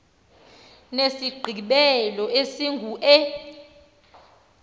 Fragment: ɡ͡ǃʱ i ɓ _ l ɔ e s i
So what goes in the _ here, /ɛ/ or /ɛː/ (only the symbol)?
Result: ɛ